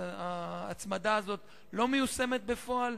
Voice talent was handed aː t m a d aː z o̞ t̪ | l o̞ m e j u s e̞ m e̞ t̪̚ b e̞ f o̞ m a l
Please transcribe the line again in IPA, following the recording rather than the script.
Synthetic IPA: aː t͡s m a d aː z o̞ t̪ | l o̞ m e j u s e̞ m e̞ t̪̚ b e̞ f o̞ a l